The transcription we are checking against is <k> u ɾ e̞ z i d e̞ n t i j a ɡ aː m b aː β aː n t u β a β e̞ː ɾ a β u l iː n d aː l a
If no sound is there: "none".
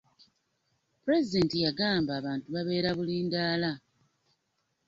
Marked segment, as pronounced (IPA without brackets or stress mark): p